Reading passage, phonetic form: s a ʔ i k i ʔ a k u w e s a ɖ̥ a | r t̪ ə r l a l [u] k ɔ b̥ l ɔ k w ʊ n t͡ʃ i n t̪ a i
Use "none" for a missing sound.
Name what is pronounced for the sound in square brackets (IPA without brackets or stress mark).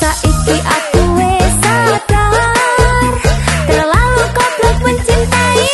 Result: u